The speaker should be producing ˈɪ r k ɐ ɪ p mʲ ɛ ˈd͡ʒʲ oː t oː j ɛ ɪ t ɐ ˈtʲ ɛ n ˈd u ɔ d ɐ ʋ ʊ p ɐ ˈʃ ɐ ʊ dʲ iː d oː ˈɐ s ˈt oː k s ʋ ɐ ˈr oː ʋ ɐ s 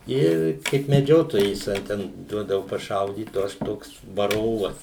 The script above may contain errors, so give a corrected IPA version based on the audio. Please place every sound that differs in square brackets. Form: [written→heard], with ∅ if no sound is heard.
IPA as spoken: ˈɪ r k ɐ ɪ p mʲ ɛ ˈd͡ʒʲ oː t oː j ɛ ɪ [t→s] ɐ ˈtʲ ɛ n ˈd u ɔ d ɐ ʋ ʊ p ɐ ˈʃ ɐ ʊ dʲ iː [d→t] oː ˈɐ [s→ʃ] ˈt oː k s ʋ ɐ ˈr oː ʋ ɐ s